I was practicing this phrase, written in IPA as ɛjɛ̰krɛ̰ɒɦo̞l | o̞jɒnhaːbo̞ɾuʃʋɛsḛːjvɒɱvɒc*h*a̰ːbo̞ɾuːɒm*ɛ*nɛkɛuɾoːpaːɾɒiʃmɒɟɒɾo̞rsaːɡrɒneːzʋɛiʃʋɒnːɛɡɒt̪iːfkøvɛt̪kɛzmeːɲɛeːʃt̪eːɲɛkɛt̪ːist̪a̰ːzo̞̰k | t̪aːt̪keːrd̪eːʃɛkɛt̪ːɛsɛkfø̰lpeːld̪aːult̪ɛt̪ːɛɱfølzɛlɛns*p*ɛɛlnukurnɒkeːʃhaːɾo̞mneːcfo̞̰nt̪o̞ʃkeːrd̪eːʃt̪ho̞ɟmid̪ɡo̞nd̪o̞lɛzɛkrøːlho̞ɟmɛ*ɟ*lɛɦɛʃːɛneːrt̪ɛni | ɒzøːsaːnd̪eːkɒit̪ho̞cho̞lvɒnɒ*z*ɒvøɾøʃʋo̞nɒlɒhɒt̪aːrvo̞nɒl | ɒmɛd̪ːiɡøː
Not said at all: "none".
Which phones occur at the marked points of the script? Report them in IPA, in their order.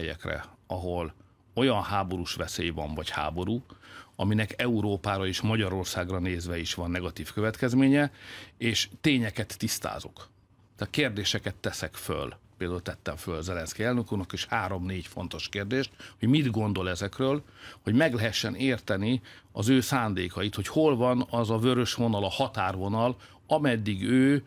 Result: h, i, k, ɡ, z

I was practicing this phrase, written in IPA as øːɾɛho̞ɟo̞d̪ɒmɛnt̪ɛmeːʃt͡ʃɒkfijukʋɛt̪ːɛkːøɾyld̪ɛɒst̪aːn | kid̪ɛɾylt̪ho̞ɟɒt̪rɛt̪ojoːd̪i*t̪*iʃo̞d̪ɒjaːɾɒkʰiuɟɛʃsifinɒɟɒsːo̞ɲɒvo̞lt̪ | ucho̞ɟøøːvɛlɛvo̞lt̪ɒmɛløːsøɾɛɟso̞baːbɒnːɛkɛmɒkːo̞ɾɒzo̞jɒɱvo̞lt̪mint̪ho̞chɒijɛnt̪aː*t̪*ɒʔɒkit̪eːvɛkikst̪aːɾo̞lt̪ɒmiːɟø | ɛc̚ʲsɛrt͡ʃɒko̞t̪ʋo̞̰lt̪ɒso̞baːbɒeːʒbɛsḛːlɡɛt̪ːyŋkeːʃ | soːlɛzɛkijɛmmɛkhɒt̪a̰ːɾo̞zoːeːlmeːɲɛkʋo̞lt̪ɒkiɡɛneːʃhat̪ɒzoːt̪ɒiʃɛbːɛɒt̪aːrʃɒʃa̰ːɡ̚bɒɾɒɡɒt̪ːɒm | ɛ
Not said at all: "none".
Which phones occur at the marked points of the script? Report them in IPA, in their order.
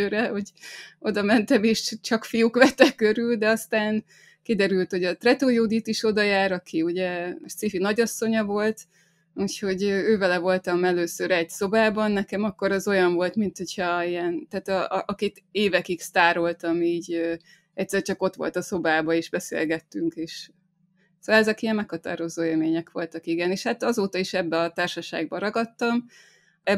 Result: t̪, t̪

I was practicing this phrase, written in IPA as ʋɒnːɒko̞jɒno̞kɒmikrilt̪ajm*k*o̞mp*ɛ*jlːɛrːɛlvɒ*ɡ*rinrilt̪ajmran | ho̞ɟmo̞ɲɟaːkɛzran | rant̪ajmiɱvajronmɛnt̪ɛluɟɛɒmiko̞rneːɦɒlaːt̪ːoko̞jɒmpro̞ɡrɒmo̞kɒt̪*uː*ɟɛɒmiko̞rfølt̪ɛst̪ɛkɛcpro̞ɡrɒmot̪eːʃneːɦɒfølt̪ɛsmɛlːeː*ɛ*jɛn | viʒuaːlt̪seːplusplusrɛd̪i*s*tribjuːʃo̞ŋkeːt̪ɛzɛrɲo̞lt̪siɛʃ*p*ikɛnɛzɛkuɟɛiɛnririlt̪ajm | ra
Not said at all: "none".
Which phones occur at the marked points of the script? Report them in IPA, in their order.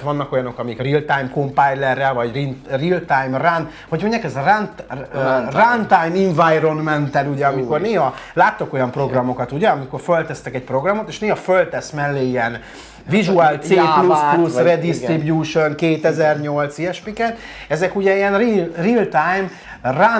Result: k, a, ɟ, u, i, s, p

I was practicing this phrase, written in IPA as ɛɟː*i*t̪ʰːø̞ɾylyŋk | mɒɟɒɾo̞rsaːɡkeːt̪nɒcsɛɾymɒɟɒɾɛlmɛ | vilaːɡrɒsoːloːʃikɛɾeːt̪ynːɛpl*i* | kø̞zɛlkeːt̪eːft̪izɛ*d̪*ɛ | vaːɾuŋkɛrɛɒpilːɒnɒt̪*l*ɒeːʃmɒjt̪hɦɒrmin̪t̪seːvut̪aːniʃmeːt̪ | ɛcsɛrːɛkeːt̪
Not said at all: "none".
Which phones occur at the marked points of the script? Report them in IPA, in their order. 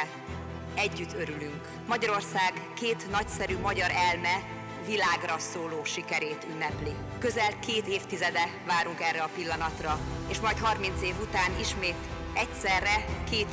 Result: y, i, d̪, r

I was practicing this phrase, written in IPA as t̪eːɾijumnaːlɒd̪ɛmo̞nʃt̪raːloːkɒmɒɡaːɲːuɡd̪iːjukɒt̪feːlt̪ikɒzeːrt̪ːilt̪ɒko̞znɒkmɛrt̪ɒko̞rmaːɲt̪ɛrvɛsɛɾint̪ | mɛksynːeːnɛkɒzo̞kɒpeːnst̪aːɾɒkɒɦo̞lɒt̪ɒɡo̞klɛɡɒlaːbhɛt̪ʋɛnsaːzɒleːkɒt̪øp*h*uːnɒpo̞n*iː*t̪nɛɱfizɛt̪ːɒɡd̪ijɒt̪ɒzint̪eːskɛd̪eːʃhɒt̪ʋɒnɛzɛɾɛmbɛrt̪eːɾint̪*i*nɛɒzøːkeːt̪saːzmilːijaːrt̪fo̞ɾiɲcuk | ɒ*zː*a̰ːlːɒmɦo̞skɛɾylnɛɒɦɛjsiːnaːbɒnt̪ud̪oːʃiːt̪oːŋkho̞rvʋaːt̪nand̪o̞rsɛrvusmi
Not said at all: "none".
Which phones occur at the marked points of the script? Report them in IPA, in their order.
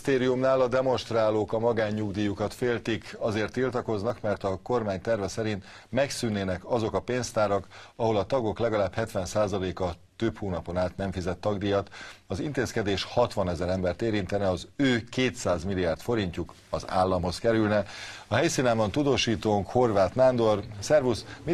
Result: h, aː, ɛ, z

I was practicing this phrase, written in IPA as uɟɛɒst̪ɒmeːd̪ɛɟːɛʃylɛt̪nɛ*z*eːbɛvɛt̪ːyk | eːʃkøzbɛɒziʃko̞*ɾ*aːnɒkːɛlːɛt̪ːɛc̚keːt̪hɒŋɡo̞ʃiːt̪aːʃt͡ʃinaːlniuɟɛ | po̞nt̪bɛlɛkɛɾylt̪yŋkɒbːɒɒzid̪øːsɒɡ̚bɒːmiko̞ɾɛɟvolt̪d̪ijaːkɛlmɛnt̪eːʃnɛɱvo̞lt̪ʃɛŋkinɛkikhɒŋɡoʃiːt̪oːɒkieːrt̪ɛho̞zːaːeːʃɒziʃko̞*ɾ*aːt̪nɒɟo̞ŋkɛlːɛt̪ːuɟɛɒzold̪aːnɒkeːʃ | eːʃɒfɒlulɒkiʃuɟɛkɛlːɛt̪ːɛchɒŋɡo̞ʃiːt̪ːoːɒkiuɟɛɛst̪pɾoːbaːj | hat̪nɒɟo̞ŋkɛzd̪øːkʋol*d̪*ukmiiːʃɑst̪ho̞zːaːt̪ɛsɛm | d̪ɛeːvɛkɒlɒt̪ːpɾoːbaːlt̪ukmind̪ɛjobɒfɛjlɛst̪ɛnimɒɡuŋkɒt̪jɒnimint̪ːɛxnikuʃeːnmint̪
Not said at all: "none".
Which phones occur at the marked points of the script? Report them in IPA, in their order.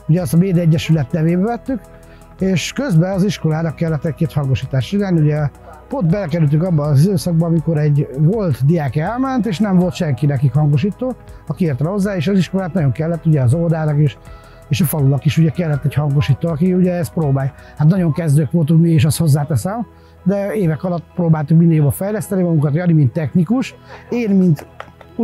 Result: v, l, l, t̪

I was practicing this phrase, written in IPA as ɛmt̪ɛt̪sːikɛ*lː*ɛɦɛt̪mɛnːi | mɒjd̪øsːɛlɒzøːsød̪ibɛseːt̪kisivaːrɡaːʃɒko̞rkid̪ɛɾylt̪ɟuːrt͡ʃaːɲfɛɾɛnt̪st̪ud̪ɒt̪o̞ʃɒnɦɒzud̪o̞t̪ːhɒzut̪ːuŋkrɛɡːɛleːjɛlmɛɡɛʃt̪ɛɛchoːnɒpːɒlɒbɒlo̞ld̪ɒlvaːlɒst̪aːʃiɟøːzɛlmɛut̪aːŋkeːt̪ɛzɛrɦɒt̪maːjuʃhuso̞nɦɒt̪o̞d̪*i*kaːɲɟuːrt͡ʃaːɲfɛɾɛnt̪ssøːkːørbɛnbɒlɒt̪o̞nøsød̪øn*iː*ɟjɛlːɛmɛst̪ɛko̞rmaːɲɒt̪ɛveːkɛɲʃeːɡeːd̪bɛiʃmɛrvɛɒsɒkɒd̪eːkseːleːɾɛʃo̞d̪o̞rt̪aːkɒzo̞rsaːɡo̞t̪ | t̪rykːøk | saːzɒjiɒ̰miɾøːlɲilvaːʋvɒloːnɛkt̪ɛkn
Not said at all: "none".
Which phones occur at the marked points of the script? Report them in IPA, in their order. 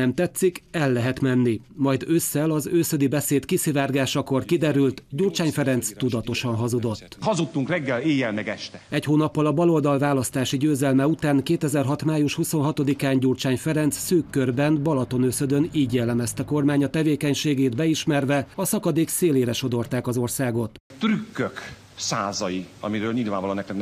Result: lː, i, iː

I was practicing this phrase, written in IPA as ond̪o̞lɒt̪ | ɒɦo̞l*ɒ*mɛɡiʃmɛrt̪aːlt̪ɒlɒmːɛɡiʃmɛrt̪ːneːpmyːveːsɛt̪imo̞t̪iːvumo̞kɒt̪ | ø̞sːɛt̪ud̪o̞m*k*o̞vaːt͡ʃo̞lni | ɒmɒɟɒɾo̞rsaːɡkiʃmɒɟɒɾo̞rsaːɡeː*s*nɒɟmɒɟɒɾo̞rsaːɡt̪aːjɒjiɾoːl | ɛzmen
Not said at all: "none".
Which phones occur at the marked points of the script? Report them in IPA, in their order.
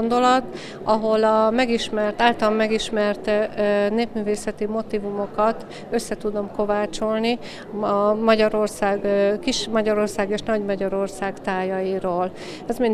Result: ɒ, k, ʃ

